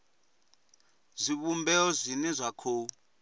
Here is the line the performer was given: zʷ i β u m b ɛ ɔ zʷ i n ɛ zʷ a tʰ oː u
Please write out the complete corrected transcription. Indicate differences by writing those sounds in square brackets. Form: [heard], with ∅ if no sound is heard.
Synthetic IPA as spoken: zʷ i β u m b ɛ ɔ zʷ i n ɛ zʷ a [kʰ] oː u